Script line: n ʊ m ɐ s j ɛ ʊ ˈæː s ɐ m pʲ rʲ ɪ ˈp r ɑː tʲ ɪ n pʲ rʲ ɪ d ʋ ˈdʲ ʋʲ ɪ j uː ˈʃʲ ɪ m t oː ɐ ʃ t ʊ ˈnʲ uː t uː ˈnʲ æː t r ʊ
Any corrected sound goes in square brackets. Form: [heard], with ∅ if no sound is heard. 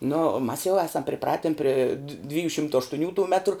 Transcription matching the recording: n ʊ m ɐ s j ɛ ʊ ˈæː s ɐ m pʲ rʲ ɪ ˈp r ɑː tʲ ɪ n pʲ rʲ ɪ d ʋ ˈdʲ ʋʲ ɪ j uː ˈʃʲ ɪ m t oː ɐ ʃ t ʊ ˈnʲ uː t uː [ˈmʲ] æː t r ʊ